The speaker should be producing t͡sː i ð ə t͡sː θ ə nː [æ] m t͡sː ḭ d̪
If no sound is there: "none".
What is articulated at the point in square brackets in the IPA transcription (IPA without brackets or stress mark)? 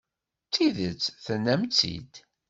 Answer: æ